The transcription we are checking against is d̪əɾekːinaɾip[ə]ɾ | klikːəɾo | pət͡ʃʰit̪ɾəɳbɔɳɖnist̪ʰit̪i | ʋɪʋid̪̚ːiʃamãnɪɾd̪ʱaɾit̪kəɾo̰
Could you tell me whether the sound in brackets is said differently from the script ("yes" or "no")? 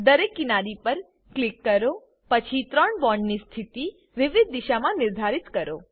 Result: no